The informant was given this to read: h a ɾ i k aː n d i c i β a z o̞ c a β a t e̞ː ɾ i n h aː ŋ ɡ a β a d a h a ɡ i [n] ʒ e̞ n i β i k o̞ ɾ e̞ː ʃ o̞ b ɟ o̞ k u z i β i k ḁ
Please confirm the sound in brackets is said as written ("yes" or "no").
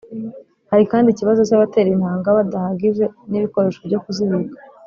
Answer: no